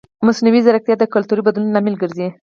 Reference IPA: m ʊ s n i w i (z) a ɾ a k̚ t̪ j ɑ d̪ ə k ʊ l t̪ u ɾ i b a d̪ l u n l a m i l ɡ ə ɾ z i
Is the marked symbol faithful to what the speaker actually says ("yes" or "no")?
yes